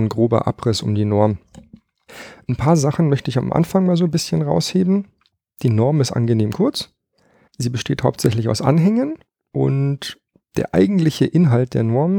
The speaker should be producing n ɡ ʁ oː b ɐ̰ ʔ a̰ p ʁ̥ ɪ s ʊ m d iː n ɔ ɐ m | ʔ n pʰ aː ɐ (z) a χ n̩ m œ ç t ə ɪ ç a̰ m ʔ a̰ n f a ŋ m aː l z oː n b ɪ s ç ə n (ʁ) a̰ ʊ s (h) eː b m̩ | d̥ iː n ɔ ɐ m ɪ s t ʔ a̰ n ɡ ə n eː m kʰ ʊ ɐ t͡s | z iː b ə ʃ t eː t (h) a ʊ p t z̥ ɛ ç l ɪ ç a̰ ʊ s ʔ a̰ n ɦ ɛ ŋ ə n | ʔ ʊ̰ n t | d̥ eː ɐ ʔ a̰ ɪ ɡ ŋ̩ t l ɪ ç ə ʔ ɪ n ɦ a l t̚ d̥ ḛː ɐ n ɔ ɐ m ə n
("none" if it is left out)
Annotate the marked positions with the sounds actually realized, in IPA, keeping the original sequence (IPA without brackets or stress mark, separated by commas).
z, ʁ, h, h